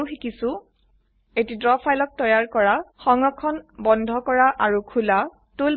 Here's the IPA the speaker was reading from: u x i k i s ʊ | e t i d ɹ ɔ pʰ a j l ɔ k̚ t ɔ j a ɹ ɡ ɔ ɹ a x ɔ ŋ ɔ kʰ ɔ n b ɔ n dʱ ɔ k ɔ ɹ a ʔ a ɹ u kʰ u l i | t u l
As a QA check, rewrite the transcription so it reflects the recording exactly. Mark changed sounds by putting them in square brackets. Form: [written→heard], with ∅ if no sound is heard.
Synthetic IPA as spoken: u x i k i s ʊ | e t i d ɹ ɔ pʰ a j l ɔ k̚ t ɔ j a ɹ [ɡ→k] ɔ ɹ a x ɔ ŋ ɔ kʰ ɔ n b ɔ n dʱ ɔ k ɔ ɹ a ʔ a ɹ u kʰ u l [i→a] | t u l